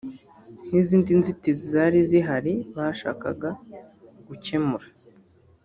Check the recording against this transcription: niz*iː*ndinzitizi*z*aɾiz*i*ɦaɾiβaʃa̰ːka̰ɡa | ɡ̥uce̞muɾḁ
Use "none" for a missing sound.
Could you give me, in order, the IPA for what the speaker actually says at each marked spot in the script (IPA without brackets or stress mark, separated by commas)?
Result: iː, z, i